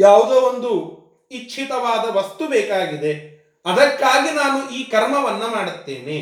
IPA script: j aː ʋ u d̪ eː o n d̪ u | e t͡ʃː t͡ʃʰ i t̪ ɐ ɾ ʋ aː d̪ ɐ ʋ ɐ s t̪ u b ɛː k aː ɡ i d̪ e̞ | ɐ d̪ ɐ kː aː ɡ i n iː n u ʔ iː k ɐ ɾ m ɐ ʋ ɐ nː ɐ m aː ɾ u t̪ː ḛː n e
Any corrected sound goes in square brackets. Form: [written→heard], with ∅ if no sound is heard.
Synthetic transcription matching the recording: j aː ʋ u d̪ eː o n d̪ u | [e→i] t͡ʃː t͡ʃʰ i t̪ ɐ [ɾ→∅] ʋ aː d̪ ɐ ʋ ɐ s t̪ u b ɛː k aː ɡ i d̪ e̞ | ɐ d̪ ɐ kː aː ɡ i n [iː→aː] n u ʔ iː k ɐ ɾ m ɐ ʋ ɐ nː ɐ m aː [ɾ→ɽ] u t̪ː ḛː n e